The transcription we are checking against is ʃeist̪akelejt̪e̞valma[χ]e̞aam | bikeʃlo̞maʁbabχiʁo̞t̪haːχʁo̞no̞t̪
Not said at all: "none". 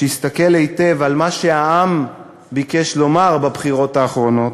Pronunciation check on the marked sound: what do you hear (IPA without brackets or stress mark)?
ʃ